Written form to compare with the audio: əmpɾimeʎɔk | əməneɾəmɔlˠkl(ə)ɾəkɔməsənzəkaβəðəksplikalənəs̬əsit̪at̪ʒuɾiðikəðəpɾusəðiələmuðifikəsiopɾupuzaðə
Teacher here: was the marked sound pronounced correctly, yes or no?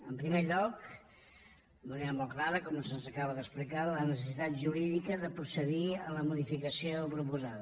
no